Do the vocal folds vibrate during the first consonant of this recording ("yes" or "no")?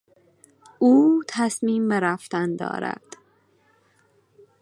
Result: no